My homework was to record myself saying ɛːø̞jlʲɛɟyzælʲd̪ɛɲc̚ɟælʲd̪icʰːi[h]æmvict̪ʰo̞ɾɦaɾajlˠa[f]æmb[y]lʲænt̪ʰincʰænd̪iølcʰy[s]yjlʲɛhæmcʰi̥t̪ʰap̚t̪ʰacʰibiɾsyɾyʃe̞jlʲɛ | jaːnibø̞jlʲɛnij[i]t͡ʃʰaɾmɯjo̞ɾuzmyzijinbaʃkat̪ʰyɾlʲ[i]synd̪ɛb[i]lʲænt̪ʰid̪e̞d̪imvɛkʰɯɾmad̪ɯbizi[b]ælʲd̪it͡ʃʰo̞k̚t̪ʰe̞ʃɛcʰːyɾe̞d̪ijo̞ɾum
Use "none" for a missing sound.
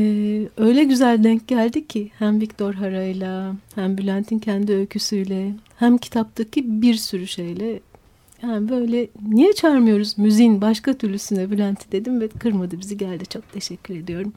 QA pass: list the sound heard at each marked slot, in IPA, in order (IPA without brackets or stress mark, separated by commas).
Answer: h, h, y, s, ɛ, y, y, ɟ